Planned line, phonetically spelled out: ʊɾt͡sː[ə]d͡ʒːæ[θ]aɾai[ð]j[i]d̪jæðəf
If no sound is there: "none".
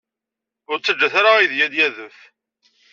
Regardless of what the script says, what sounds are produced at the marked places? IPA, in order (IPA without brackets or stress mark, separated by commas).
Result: ə, θ, ð, æ